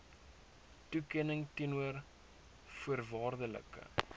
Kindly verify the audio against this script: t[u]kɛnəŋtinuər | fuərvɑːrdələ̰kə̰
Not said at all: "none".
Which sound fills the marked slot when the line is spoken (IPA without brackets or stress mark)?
u